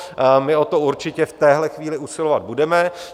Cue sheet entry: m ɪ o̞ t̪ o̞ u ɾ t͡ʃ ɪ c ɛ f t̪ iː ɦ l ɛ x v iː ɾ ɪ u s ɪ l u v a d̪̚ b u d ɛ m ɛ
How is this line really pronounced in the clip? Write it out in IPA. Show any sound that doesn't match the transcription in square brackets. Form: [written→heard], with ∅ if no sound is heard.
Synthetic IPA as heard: m ɪ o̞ t̪ o̞ u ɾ t͡ʃ ɪ c ɛ f t̪ [iː→ɛː] ɦ l ɛ x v iː [ɾ→l] ɪ u s ɪ l [u→o] v a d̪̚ b u d ɛ m ɛ